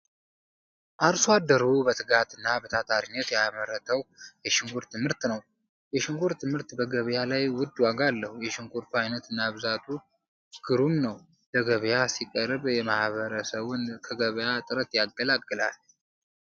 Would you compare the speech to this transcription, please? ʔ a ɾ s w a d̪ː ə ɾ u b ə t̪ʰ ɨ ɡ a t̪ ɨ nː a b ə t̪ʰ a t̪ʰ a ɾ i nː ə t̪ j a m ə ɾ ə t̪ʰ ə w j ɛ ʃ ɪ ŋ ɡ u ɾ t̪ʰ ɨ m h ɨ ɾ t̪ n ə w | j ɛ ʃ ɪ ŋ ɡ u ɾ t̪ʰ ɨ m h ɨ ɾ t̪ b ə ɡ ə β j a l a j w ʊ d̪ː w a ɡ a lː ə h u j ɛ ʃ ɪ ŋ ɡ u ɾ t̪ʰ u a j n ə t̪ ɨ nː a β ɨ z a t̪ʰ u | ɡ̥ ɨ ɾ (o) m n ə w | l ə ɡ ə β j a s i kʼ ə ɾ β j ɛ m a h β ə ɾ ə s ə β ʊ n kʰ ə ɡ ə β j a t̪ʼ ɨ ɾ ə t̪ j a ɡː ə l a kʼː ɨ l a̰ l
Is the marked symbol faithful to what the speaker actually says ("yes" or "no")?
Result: no